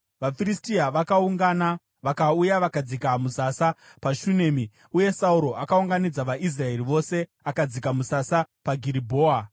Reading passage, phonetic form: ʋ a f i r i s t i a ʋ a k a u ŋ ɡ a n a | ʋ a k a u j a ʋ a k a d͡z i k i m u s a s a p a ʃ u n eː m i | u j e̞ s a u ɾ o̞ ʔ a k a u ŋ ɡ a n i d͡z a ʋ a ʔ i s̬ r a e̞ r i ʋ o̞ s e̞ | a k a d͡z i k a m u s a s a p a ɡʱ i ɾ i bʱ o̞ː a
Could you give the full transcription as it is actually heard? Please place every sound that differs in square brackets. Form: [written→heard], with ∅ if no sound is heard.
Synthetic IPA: ʋ a f i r i s t i a ʋ a k a u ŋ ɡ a n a | ʋ a k a u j a ʋ a k a d͡z i k [i→a] m u s a s a p a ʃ u n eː m i | u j e̞ s a u ɾ o̞ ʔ a k a u ŋ ɡ a n i d͡z a ʋ a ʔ i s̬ r a e̞ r i ʋ o̞ s e̞ | a k a d͡z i k a m u s a s a p a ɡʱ i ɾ i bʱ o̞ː a

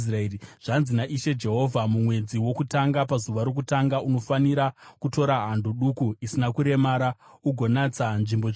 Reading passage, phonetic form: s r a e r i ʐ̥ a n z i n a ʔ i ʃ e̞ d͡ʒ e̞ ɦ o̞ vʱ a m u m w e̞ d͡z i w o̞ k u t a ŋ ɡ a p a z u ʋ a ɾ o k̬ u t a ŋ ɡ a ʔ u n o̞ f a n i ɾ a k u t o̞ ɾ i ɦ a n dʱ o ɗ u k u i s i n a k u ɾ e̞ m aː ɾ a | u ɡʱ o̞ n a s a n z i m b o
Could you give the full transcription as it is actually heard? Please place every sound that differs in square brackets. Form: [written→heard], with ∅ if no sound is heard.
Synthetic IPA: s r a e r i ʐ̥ a n z i n a ʔ i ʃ e̞ d͡ʒ e̞ ɦ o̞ vʱ a m u m w e̞ d͡z i w o̞ k u t a ŋ ɡ a p a z u ʋ a ɾ o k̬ u t a ŋ ɡ a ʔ u n o̞ f a n i ɾ a k u t o̞ ɾ [i→a] ɦ a n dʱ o ɗ u k u i s i n a k u ɾ e̞ m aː ɾ a | u ɡʱ o̞ n a [s→t͡s] a n [z→ʐ] i m b o

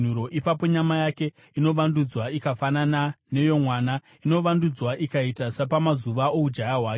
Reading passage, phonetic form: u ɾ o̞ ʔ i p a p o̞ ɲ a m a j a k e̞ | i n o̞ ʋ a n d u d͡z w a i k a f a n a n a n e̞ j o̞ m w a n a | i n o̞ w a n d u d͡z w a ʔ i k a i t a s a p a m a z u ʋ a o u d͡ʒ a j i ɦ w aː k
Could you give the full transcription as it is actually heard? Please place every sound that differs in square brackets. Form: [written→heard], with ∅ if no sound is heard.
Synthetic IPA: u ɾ o̞ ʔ i p a p o̞ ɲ a m a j a k e̞ | i n o̞ ʋ a n d u d͡z w a i k a f a n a n a n e̞ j o̞ m w a n a | i n o̞ [w→ʋ] a n d u d͡z w a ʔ i k a i t a s a p a m a z u ʋ a o u d͡ʒ a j [i→a] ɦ w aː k

